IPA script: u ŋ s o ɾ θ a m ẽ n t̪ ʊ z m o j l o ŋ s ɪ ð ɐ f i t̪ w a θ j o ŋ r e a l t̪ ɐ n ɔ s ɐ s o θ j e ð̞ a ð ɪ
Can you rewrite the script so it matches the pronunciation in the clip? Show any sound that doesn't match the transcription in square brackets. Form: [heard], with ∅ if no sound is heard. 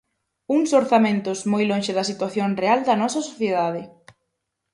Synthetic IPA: u ŋ s o ɾ θ a m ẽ n t̪ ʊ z m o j l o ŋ [ʃ] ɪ ð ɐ [s] i t̪ w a θ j o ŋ r e a l [d̪] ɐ n ɔ s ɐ s o θ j e ð̞ a ð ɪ

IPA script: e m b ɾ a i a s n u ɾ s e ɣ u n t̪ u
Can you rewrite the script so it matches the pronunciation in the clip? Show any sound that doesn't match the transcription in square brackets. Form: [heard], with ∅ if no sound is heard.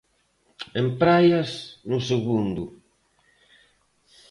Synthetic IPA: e m [p] ɾ a [j] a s n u [∅] s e ɣ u n [d̪] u

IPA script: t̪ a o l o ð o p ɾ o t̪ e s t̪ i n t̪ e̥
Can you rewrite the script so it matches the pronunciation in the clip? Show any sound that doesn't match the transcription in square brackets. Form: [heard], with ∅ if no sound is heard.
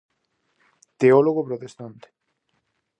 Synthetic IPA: t̪ [e] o l o [ɣ] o p ɾ o t̪ e s t̪ [a] n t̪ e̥

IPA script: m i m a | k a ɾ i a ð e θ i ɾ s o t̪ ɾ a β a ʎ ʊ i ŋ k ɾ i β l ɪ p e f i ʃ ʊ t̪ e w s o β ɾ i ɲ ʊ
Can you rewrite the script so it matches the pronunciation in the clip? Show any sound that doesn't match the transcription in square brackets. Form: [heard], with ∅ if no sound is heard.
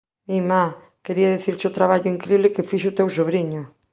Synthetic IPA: m i m a | k [e] ɾ i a ð e θ i ɾ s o t̪ ɾ a β a ʎ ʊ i ŋ k ɾ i β l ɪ [k] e f i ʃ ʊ t̪ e w s o β ɾ i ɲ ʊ

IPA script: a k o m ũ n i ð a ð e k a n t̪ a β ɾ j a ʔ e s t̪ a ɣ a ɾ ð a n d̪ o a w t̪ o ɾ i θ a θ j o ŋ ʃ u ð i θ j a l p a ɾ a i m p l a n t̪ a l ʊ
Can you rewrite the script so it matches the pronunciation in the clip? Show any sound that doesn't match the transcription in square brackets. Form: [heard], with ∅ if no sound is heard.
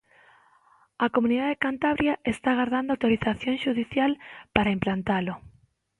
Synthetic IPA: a k o m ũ n i ð a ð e k a n t̪ a β ɾ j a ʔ e s t̪ a ɣ a ɾ ð a n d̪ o a w t̪ o ɾ i θ a θ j o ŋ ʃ u ð i θ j a l p a ɾ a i m p l a n t̪ a l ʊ

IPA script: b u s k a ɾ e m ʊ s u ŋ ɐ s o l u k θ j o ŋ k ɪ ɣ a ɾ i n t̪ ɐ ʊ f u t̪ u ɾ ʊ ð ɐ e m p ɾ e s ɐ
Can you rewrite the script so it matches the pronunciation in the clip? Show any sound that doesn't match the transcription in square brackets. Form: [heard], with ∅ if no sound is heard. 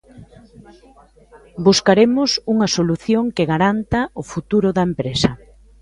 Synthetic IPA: b u s k a ɾ e m ʊ s u ŋ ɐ s o l u [∅] θ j o ŋ k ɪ ɣ a ɾ [a] n t̪ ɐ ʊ f u t̪ u ɾ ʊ ð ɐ e m p ɾ e s ɐ

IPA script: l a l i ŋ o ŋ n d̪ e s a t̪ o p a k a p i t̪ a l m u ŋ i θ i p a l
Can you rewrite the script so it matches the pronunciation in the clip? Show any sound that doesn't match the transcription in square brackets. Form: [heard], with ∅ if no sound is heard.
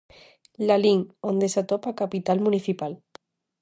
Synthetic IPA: l a l i ŋ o [∅] n d̪ e s a t̪ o p a k a p i t̪ a l m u [n] i θ i p a l

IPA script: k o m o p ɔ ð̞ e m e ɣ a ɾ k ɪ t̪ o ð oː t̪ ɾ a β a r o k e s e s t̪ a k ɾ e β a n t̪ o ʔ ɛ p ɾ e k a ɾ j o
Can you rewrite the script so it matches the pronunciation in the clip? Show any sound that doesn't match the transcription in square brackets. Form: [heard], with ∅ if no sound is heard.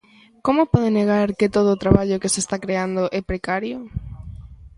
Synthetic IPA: k o m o p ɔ ð̞ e [n] e ɣ a ɾ k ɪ t̪ o ð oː t̪ ɾ a β a [ʎ] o k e s e s t̪ a k ɾ e [∅] a n [d̪] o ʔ ɛ p ɾ e k a ɾ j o

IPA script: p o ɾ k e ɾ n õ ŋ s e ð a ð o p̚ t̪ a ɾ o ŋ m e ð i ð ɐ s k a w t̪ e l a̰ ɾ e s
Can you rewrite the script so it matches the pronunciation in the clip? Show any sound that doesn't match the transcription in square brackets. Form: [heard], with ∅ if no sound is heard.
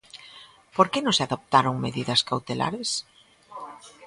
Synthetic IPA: p o ɾ k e [∅] n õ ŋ s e [∅] a ð o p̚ t̪ a ɾ o ŋ m e ð i ð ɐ s k a w t̪ e l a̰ ɾ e s

